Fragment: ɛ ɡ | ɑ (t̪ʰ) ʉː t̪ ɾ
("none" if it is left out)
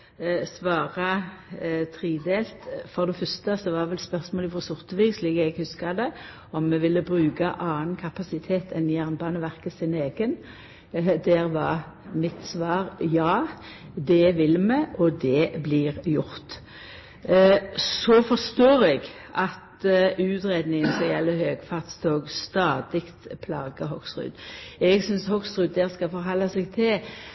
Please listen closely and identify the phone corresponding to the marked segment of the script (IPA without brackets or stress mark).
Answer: t̪